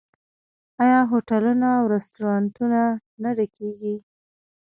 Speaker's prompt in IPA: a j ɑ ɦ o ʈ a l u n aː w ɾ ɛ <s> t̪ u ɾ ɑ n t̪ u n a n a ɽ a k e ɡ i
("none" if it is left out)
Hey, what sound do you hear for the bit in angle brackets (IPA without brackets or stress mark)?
s